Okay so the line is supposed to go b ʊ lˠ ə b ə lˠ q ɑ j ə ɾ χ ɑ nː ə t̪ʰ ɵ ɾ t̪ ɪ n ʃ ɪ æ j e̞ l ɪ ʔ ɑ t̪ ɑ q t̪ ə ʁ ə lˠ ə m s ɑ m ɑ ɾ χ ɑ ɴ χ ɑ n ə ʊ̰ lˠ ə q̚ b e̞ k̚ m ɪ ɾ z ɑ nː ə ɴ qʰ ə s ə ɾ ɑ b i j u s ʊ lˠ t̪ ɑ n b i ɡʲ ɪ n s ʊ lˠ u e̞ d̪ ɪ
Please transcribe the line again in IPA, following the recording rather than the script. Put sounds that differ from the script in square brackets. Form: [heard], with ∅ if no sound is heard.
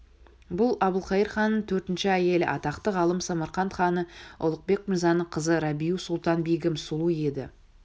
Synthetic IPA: b ʊ lˠ [ɑ] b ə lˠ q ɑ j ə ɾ χ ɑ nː ə t̪ʰ ɵ ɾ t̪ ɪ n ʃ ɪ æ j e̞ l ɪ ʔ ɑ t̪ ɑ q t̪ ə ʁ [ɑ] lˠ ə m s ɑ m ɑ ɾ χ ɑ [n] χ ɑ n ə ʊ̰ lˠ ə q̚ b e̞ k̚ m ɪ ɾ z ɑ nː ə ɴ qʰ ə [z] ə ɾ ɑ b i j u s ʊ lˠ t̪ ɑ n b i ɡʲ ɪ [m] s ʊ lˠ u e̞ d̪ ɪ